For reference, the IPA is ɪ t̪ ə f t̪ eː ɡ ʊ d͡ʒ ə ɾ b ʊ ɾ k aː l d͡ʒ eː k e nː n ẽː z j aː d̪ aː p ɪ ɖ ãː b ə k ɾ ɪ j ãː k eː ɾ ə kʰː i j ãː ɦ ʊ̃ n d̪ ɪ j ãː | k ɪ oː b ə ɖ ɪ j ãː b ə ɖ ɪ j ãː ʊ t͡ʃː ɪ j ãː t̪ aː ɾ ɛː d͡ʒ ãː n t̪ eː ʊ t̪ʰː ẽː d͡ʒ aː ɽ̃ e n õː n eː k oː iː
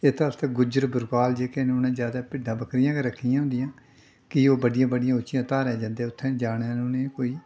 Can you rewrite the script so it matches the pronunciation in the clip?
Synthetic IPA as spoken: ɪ t̪ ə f t̪ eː ɡ ʊ d͡ʒ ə ɾ b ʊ ɾ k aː l d͡ʒ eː k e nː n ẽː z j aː d̪ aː p ɪ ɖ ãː b ə k ɾ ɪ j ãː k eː ɾ ə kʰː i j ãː ɦ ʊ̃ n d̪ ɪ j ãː | k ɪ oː b ə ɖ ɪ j ãː b ə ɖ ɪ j ãː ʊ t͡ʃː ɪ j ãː t̪ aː ɾ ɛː d͡ʒ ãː n d̪ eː ʊ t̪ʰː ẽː d͡ʒ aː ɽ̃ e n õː n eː k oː iː